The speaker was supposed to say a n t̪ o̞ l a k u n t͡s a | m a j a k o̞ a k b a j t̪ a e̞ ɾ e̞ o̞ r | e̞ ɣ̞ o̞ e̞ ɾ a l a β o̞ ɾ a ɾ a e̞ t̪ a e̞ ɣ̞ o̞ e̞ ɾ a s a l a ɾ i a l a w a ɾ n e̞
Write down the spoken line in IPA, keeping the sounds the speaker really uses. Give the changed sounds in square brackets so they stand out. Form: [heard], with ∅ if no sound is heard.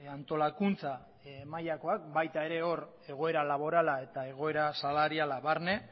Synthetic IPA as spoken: a n t̪ o̞ l a k u n t͡s a | m a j a k o̞ a k b a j t̪ a e̞ ɾ e̞ o̞ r | e̞ ɣ̞ o̞ e̞ ɾ a l a β o̞ ɾ a [l] a e̞ t̪ a e̞ ɣ̞ o̞ e̞ ɾ a s a l a ɾ i a l a [β] a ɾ n e̞